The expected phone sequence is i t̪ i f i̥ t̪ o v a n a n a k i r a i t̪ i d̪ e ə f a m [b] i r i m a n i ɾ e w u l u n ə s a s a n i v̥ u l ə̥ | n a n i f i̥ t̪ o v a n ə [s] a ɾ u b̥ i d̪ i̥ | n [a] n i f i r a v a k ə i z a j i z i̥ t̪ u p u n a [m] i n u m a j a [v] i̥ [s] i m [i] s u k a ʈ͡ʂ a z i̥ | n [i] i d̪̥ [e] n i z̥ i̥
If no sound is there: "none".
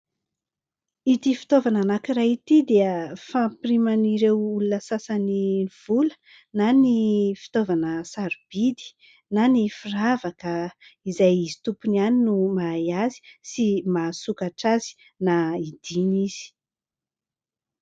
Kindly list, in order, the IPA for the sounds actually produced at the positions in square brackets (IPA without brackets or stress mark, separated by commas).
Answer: p, s, a, n, z, s, a, a, i